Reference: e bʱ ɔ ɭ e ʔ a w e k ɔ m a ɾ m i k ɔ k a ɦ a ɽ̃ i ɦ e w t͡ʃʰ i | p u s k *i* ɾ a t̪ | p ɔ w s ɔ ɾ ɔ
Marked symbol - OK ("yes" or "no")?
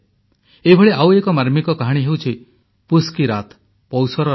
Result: yes